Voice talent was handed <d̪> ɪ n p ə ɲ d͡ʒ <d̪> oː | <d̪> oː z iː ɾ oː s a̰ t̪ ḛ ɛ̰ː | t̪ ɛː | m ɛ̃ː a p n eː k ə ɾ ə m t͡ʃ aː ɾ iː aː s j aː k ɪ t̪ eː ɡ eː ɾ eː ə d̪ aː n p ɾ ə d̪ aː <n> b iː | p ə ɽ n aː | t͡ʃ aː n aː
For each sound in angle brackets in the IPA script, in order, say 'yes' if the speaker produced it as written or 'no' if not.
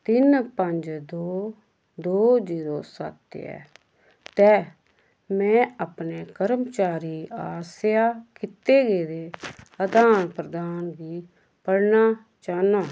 no, yes, yes, yes

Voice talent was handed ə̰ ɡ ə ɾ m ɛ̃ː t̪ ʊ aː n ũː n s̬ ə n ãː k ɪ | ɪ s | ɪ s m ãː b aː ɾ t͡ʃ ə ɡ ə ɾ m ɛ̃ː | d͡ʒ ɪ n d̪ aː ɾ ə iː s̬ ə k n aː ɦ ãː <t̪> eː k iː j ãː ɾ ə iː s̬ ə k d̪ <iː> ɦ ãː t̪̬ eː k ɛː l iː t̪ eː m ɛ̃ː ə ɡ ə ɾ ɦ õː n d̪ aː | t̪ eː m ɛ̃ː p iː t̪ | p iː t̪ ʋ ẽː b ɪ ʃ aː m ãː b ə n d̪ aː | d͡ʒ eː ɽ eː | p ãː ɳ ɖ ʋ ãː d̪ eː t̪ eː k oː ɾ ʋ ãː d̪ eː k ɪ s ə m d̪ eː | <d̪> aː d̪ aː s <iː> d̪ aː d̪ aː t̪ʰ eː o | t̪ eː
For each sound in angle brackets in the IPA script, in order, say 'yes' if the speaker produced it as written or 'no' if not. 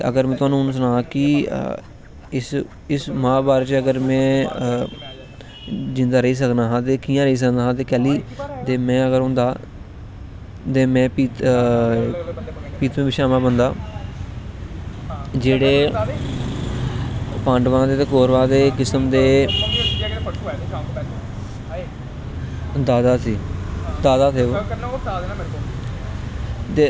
yes, no, yes, yes

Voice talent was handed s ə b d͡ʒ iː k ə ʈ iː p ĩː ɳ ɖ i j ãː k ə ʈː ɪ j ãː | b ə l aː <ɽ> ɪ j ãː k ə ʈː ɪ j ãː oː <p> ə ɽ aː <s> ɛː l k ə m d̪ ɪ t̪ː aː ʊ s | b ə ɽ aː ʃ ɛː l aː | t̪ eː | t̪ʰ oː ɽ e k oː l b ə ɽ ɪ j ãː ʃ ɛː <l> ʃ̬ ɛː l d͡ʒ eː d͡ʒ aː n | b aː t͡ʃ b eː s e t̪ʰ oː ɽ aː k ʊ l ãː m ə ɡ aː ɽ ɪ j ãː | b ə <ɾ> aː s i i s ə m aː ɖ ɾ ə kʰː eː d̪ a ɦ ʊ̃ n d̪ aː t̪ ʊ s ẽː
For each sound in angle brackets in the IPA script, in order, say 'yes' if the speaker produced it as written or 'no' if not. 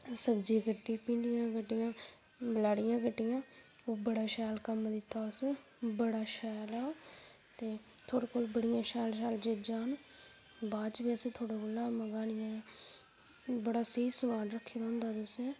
yes, no, no, yes, no

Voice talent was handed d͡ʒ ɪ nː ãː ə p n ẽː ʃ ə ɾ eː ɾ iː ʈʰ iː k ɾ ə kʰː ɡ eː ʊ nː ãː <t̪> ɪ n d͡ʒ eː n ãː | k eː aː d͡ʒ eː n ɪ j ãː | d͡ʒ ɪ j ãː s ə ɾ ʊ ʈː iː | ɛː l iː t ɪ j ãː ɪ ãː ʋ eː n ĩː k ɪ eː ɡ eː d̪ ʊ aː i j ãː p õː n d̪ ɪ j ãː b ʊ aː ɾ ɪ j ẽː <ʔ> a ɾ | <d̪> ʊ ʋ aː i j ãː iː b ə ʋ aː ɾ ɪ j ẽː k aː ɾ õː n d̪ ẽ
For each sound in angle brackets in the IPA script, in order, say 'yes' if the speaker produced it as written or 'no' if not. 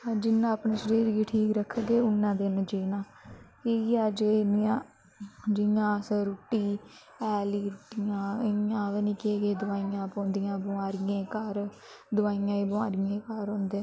no, no, yes

